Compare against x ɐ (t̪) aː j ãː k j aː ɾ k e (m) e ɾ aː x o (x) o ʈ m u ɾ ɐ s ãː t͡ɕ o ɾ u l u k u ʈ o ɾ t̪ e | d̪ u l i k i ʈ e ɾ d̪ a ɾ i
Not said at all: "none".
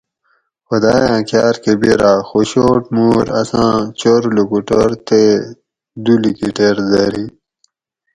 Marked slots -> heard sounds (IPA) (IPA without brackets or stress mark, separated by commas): d̪, b, ɕ